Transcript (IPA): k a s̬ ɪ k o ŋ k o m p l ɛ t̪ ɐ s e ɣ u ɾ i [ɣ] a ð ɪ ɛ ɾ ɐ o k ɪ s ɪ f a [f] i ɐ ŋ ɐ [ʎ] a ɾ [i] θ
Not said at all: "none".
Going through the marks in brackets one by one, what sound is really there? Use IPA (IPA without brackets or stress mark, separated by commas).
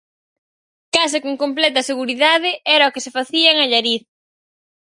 ð, θ, ʎ, i